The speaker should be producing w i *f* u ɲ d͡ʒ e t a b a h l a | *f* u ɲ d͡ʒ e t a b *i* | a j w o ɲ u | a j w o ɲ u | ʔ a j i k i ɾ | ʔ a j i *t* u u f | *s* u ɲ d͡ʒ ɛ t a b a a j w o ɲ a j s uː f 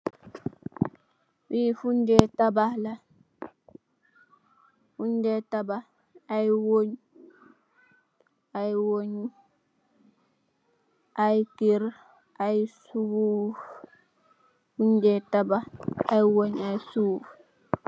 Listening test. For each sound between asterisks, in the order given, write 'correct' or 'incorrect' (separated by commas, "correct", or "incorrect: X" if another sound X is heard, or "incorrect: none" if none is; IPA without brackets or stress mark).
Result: correct, correct, incorrect: a, incorrect: s, incorrect: f